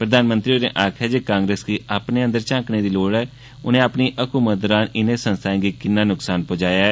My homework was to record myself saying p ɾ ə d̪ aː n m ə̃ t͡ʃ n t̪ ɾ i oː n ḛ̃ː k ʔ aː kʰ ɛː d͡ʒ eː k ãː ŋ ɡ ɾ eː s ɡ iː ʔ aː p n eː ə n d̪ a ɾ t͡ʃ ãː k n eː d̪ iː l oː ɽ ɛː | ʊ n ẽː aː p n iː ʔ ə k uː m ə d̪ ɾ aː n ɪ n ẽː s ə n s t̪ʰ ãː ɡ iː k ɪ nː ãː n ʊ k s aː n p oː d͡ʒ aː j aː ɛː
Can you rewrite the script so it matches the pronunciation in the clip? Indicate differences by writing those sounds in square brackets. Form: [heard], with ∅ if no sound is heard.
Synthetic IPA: p ɾ ə d̪ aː n m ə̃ [∅] n t̪ ɾ i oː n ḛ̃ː [∅] ʔ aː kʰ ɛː d͡ʒ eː k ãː ŋ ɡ ɾ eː s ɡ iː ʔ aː p n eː ə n d̪ [ə] ɾ t͡ʃ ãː k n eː d̪ iː l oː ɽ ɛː | ʊ n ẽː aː p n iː ʔ ə k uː m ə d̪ ɾ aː n ɪ n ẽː s ə n s t̪ʰ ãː ɡ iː k ɪ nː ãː n ʊ k s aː n p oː d͡ʒ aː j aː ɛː